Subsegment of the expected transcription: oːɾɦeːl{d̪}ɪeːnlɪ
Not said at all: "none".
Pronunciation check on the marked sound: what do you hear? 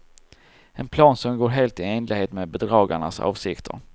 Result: t̪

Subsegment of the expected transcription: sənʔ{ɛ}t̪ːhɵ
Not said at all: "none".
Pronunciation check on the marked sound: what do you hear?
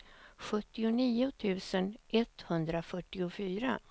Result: ɛ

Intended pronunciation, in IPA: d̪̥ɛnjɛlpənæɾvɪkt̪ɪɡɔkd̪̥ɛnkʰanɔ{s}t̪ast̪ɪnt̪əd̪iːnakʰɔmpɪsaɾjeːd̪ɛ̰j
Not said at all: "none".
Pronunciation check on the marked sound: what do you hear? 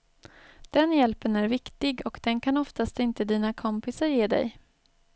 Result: f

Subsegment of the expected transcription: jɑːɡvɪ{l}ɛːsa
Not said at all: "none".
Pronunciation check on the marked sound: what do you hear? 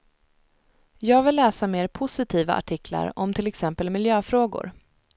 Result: lː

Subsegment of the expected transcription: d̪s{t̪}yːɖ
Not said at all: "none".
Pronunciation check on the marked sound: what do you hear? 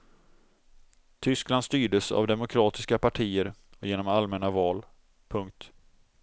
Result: t̪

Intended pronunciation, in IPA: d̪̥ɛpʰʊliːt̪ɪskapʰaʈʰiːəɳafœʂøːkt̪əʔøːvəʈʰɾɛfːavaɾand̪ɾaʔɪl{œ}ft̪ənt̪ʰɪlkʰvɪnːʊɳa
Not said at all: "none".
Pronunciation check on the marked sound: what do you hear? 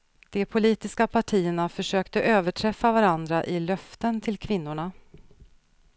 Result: œ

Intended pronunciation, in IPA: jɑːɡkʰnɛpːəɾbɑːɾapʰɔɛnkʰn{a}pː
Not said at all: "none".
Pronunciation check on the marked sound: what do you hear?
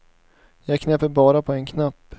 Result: a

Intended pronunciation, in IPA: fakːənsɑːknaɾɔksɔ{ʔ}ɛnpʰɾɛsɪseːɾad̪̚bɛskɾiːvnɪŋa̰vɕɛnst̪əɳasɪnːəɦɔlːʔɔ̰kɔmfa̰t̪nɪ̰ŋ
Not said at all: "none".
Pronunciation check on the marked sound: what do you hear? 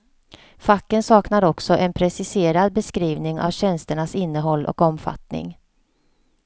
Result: ʔ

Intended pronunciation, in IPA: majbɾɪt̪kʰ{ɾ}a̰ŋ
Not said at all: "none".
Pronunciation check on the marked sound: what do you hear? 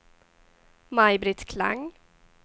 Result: l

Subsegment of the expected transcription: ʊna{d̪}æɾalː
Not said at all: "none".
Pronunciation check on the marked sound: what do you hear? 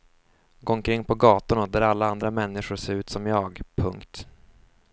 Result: d̪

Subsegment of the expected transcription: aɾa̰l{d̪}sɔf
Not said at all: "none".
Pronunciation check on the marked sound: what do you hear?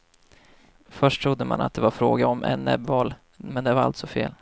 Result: t̪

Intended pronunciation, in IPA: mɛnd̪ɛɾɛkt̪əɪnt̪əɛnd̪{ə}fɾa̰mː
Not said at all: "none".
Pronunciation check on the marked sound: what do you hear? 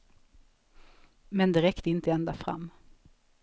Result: a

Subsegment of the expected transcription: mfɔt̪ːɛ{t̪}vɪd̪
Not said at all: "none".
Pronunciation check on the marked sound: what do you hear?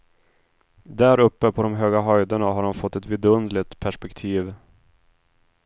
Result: t̪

